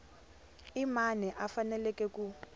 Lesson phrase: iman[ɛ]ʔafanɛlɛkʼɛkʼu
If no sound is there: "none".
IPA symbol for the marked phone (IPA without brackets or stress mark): ɛ